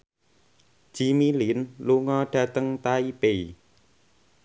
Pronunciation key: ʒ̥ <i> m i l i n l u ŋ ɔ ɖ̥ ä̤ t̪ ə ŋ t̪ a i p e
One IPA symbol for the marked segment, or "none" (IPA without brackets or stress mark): i